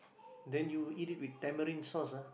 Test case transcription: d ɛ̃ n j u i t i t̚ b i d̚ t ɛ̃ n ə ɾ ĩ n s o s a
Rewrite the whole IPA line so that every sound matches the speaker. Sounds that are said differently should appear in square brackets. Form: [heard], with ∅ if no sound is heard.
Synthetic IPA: d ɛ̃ n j u i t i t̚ [w] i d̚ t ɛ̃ [m] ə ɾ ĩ n s [ɔ] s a